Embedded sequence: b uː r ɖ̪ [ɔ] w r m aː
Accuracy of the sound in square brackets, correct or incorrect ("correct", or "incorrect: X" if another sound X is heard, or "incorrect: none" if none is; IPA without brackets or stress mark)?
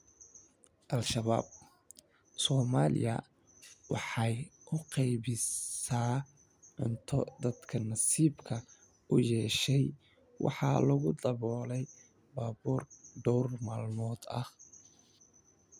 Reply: correct